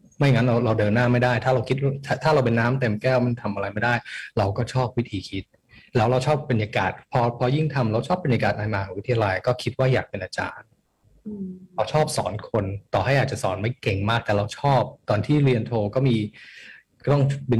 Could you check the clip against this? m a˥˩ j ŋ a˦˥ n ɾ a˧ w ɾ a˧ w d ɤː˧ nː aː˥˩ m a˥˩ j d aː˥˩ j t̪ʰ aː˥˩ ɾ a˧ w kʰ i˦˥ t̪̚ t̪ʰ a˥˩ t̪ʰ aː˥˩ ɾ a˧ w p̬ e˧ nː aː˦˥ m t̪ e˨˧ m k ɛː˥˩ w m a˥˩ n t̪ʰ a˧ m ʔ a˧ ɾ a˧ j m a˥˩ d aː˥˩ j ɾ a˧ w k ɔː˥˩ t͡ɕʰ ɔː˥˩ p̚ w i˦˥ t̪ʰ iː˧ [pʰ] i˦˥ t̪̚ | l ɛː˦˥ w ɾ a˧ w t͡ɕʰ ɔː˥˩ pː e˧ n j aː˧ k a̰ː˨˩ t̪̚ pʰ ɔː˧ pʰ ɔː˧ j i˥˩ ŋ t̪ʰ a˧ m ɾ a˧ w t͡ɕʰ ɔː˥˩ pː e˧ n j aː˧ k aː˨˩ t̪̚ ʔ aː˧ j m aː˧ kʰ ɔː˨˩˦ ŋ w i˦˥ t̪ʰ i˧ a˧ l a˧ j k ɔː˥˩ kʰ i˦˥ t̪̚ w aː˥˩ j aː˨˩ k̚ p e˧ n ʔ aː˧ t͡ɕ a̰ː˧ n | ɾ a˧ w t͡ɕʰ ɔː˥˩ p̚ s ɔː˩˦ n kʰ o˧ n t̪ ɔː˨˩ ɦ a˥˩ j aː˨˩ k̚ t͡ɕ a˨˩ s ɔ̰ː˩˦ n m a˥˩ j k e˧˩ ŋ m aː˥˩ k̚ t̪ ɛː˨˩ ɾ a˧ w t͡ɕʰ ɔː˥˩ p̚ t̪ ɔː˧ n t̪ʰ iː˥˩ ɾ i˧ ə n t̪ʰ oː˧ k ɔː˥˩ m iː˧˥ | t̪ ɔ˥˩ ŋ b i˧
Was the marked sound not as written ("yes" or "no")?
yes